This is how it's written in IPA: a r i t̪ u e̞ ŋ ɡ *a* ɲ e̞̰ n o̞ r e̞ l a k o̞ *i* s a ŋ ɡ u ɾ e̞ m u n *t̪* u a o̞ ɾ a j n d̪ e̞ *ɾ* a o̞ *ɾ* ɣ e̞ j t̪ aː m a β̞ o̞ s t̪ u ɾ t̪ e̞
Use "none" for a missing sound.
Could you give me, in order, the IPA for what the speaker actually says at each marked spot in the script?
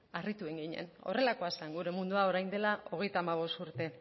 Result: i, a, d̪, l, none

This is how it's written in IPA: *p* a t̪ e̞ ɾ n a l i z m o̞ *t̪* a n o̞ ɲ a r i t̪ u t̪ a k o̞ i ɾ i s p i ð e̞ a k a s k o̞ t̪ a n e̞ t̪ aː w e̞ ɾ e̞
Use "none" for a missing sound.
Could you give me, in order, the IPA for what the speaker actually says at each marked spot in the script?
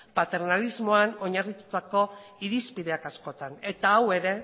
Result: p, none

